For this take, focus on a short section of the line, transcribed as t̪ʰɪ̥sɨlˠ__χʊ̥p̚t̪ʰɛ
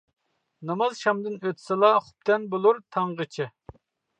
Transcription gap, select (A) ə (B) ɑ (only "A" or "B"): B